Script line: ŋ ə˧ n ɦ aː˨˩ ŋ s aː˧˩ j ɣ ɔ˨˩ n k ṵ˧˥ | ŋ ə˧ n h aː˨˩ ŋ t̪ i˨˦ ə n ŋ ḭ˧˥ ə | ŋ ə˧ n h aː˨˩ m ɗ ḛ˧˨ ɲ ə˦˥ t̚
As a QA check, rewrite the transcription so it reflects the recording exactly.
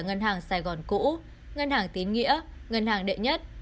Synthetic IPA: ŋ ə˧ n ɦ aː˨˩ ŋ s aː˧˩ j ɣ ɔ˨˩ n k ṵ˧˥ | ŋ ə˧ n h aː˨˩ ŋ t̪ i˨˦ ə n ŋ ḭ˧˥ ə | ŋ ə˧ n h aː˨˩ ŋ ɗ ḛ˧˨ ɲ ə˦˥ t̚